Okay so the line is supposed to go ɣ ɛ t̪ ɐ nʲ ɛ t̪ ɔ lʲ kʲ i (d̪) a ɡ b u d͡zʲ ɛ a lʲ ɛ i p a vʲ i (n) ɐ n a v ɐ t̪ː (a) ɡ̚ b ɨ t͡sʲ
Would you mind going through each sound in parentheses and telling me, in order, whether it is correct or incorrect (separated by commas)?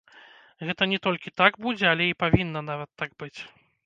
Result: incorrect, incorrect, correct